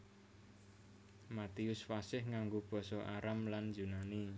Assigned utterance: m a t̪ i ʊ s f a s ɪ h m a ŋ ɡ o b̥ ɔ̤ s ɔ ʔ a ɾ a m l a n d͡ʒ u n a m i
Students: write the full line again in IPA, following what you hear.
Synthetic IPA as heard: m a t̪ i ʊ s f a s ɪ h ŋ a ŋ ɡ o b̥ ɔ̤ s ɔ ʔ a ɾ a m l a n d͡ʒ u n a n i